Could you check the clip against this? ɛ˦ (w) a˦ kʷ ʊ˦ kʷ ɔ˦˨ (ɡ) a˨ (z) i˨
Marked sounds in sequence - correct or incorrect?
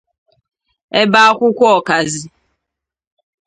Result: incorrect: b, incorrect: k, correct

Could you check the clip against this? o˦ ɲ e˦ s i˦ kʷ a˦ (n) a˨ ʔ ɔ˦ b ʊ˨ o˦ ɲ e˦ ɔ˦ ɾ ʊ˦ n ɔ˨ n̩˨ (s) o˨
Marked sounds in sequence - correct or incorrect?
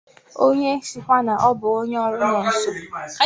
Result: correct, correct

